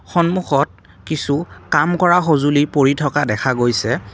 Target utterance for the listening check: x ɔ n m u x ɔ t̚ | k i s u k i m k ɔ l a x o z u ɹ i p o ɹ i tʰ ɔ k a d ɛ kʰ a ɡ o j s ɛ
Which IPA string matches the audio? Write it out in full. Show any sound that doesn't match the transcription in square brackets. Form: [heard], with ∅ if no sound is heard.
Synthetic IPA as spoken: x ɔ n m u x ɔ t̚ | k i s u k [a] m k ɔ [ɹ] a x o z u [l] i p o ɹ i tʰ ɔ k a d ɛ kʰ a ɡ o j s ɛ